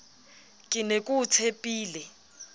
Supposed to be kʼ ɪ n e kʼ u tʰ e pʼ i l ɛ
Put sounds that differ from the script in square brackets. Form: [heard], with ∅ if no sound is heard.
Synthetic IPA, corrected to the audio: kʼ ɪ n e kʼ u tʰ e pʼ [iː] l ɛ